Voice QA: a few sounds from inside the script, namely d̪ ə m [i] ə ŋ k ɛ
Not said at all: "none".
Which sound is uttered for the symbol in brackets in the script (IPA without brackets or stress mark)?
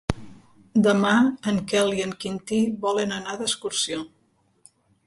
a